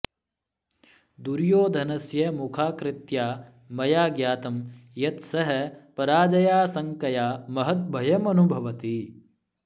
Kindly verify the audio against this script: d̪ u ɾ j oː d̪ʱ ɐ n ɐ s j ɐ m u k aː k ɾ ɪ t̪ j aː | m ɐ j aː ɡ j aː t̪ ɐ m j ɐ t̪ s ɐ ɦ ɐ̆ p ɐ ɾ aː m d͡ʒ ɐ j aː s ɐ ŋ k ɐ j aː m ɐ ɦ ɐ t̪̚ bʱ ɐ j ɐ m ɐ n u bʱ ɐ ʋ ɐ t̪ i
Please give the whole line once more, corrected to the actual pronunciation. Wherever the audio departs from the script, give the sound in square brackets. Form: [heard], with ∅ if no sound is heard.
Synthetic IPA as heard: d̪ u ɾ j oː d̪ʱ ɐ n ɐ s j ɐ m u [kʰ] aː k ɾ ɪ t̪ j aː | m ɐ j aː ɡ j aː t̪ ɐ m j ɐ t̪ s ɐ ɦ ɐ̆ p ɐ ɾ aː [∅] d͡ʒ ɐ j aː s ɐ ŋ k ɐ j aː m ɐ ɦ ɐ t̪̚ bʱ ɐ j ɐ m ɐ n u bʱ ɐ ʋ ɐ t̪ i